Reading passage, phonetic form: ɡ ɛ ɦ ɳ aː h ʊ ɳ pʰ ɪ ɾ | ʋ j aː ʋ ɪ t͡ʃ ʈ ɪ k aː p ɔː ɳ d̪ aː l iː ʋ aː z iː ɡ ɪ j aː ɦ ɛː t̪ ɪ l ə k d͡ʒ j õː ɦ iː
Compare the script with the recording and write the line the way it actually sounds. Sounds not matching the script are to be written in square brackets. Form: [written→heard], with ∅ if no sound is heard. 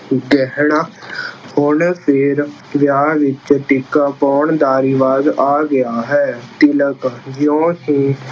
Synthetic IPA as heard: ɡ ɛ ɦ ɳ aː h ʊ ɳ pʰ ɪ ɾ | ʋ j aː ʋ ɪ t͡ʃ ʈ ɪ k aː p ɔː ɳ d̪ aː [l→ɾ] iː ʋ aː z [iː→aː] ɡ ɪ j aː ɦ ɛː t̪ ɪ l ə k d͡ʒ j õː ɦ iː